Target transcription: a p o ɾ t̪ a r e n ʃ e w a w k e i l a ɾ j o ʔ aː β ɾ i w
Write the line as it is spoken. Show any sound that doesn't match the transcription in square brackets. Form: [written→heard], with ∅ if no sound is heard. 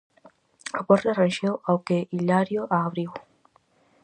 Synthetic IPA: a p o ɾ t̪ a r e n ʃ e w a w k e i l a ɾ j o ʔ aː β ɾ i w

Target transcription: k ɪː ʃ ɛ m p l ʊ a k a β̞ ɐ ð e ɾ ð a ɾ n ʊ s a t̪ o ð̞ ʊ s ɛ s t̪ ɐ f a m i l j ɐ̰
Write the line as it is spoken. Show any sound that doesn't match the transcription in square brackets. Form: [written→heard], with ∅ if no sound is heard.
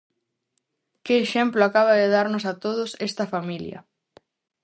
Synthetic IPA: k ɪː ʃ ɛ m p l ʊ a k a β̞ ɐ ð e [ɾ→∅] ð a ɾ n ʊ s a t̪ o ð̞ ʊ s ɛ s t̪ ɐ f a m i l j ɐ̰

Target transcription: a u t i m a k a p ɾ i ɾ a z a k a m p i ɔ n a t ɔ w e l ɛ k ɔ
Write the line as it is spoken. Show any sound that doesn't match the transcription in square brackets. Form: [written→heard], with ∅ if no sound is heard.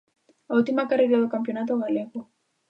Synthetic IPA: a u t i m a k a [p→∅] ɾ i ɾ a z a k a m p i ɔ n a t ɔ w [e→a] l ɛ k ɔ

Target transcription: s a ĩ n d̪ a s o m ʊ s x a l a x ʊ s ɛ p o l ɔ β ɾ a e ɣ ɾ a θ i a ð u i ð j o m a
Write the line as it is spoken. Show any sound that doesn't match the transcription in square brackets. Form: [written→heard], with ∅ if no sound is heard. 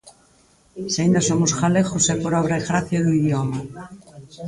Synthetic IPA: s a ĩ n d̪ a s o m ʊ s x a l [a→e] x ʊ s ɛ p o [l→ɾ] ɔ β ɾ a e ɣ ɾ a θ [i→j] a ð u i ð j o m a

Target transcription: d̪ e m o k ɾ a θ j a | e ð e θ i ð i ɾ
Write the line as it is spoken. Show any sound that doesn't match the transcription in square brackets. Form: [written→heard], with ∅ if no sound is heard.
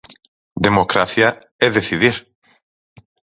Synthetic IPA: d̪ e m o k ɾ a θ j a | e ð e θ i ð i ɾ

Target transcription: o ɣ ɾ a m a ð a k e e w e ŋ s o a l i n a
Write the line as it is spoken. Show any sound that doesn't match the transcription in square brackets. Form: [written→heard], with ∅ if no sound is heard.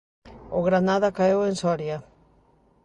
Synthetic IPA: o ɣ ɾ a [m→n] a ð a k [e→a] e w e [ŋ→n] s o a [l→ɾ] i [n→∅] a

